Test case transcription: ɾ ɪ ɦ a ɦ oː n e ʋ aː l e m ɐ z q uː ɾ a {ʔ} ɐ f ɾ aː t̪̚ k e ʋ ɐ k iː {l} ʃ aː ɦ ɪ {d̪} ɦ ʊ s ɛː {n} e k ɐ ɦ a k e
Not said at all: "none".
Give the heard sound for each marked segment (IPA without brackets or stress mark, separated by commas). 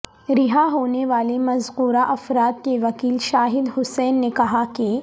ʔ, l, d̪, nː